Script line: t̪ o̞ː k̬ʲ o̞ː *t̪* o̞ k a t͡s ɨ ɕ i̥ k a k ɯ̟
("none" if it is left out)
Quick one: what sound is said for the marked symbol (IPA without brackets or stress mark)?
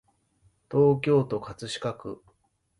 t̪